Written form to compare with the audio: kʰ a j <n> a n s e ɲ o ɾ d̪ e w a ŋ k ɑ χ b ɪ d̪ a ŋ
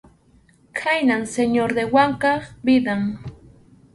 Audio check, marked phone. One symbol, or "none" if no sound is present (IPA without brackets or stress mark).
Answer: n